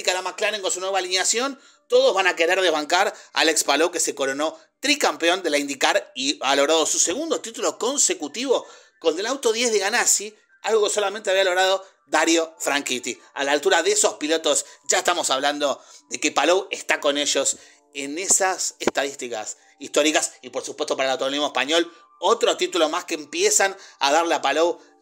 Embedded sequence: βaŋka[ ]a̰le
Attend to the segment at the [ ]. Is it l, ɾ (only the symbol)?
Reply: ɾ